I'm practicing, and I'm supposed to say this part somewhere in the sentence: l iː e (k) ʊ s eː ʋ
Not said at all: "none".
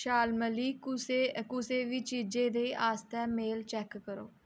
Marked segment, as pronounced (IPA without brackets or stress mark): k